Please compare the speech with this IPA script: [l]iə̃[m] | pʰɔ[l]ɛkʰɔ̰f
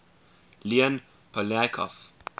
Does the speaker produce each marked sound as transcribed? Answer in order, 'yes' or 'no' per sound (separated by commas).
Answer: yes, no, yes